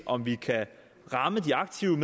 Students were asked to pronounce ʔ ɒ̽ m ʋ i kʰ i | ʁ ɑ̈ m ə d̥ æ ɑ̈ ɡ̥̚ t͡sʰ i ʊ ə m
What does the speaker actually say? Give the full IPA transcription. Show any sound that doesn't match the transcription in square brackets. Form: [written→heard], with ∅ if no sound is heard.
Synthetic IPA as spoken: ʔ ɒ̽ m ʋ i kʰ [i→æ] | ʁ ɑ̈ m ə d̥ [æ→i] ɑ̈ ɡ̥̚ t͡sʰ i ʊ ə m